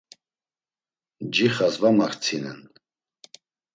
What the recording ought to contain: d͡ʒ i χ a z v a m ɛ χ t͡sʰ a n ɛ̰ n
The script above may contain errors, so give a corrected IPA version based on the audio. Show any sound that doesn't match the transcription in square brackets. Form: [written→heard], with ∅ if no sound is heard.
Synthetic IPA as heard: d͡ʒ i χ a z v a m [ɛ→a] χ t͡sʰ [a→i] n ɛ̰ n